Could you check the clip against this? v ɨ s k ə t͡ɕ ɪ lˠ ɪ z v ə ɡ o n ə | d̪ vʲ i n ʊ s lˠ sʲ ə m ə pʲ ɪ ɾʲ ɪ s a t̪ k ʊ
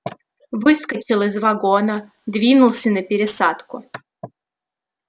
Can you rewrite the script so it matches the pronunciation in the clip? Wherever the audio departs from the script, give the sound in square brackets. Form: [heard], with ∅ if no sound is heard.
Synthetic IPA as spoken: v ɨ s k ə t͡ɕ ɪ lˠ ɪ z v [ɐ] ɡ o n ə | d̪ vʲ i n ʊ [∅] lˠ sʲ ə [n] ə pʲ ɪ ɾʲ ɪ s a t̪ k ʊ